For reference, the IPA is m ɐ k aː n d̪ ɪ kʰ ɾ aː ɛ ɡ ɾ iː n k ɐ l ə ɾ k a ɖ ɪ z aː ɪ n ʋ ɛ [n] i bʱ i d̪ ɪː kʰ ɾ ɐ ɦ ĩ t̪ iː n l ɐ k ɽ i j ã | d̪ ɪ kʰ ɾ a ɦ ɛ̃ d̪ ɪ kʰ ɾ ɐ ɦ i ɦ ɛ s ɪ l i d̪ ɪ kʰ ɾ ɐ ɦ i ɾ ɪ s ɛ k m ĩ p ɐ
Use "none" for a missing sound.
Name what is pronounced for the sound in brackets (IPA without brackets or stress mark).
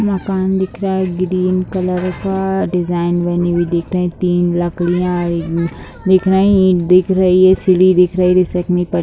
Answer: n